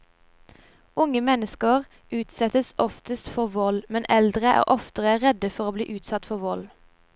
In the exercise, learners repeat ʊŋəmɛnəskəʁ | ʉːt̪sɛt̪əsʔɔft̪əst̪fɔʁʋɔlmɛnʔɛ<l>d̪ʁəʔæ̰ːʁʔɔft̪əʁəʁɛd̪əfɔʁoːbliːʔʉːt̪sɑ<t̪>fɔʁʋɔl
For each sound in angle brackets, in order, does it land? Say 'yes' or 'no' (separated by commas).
yes, yes